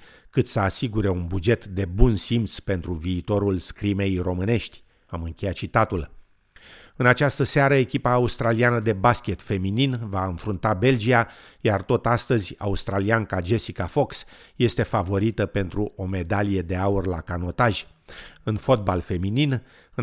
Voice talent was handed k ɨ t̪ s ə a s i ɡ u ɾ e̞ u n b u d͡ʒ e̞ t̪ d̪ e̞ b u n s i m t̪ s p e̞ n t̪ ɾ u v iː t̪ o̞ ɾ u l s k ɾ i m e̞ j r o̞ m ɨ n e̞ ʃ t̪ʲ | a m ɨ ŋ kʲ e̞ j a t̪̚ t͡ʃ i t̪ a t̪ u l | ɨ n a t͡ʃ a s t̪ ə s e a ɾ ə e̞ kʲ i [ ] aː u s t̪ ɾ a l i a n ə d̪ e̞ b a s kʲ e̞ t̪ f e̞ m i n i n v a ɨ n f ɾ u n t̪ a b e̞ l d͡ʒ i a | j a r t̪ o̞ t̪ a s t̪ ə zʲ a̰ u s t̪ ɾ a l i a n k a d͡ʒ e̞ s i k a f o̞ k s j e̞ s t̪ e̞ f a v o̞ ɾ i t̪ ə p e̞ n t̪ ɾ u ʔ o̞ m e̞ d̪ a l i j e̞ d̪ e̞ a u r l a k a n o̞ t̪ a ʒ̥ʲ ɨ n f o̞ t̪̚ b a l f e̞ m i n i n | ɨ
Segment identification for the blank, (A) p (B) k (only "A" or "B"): A